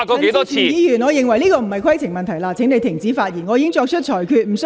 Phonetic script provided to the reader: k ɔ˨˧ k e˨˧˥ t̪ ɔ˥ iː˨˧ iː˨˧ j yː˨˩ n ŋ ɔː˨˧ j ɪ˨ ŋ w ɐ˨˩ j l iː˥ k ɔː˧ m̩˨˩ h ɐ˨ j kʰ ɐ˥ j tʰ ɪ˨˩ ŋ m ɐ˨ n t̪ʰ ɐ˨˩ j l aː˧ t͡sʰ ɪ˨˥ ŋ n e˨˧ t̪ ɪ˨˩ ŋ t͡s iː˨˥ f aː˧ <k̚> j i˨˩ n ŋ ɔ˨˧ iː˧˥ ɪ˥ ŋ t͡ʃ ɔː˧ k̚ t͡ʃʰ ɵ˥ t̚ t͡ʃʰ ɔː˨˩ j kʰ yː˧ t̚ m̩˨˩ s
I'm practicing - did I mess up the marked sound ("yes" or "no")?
yes